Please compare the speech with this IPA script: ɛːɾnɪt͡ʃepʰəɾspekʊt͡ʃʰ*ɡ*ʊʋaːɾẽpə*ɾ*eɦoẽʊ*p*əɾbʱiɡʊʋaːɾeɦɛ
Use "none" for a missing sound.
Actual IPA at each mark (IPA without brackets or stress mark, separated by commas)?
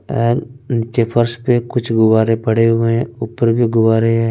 ɡ, ɽ, p